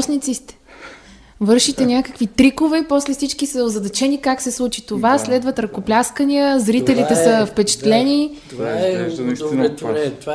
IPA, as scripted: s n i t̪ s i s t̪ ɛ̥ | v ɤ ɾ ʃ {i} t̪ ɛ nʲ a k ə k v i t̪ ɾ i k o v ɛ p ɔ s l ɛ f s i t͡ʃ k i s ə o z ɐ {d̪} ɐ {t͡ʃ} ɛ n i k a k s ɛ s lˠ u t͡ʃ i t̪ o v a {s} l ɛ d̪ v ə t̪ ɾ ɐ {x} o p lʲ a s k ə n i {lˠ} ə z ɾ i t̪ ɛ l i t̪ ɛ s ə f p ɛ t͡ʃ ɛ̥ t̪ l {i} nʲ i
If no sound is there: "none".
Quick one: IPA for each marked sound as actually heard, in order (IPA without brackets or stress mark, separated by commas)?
i, d̪, t͡ʃ, s, k, none, ɛ